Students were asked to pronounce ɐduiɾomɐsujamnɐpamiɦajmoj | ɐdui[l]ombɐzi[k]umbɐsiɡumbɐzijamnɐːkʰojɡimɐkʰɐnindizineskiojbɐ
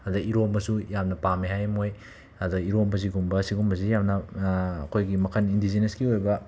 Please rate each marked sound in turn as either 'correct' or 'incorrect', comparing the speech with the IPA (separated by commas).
incorrect, incorrect